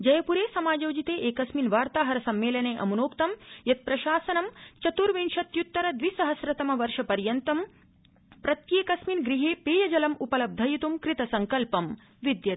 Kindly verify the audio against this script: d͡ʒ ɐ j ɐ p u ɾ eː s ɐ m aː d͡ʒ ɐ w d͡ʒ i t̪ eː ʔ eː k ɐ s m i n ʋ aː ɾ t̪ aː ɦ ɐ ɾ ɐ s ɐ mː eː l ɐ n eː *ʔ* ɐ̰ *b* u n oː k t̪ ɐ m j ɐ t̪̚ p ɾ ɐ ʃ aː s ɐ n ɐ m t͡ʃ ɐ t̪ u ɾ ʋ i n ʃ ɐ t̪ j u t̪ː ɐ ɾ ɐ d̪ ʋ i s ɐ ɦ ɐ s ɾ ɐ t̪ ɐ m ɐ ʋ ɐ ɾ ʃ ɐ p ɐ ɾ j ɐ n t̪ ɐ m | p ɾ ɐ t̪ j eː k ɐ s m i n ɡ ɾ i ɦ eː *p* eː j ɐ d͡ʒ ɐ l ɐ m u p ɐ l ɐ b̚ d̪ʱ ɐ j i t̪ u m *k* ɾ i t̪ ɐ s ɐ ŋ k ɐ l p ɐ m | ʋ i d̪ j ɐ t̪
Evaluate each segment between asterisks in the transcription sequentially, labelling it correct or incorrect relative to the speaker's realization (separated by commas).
correct, incorrect, correct, correct